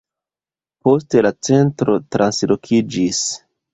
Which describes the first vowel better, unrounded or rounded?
rounded